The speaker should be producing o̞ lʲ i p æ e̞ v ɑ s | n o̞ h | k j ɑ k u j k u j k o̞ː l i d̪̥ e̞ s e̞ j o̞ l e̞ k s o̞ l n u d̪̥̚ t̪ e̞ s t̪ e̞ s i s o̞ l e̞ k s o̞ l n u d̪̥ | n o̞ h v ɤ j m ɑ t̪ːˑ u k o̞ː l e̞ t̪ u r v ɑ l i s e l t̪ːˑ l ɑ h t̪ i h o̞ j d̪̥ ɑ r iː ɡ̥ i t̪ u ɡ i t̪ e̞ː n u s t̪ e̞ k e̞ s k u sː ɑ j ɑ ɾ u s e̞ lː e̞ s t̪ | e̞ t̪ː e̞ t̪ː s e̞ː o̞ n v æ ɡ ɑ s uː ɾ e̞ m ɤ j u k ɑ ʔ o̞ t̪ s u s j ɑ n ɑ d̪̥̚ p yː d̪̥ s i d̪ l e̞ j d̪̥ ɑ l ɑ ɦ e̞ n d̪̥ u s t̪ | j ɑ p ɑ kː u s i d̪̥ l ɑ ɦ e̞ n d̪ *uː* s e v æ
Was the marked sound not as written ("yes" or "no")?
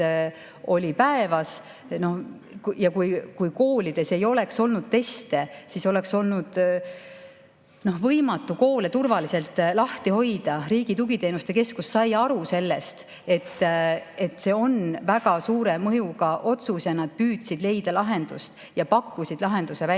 yes